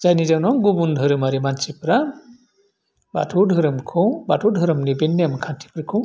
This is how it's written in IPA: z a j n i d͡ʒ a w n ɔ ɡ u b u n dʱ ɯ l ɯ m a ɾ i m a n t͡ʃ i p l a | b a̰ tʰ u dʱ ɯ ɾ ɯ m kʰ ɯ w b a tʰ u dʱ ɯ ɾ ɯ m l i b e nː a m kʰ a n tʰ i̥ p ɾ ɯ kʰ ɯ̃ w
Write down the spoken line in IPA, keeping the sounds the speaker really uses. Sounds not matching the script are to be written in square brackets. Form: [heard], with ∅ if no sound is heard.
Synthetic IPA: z a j n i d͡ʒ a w n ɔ ɡ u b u n dʱ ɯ [ɾ] ɯ m a ɾ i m a n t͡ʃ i p [ɾ] a | b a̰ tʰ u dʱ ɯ ɾ ɯ m kʰ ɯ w b a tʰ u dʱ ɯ ɾ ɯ m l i b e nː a m kʰ a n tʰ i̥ p ɾ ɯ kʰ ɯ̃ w